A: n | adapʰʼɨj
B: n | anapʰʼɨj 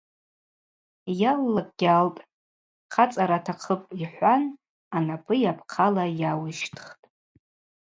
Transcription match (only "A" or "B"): B